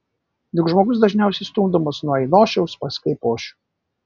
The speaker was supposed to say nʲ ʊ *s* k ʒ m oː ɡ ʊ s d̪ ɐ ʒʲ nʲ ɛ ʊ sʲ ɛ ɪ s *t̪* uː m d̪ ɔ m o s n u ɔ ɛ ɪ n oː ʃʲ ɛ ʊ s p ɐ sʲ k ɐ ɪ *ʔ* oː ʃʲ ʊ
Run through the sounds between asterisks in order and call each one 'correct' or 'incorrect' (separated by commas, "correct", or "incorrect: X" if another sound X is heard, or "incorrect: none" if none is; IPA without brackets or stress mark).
incorrect: none, correct, incorrect: p